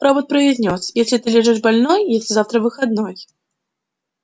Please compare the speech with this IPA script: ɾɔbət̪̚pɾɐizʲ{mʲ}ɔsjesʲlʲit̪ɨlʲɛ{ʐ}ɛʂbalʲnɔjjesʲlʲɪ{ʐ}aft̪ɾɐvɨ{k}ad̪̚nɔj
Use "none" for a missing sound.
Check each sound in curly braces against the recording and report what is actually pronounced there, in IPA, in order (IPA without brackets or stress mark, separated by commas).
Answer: nʲ, ʐ, z, x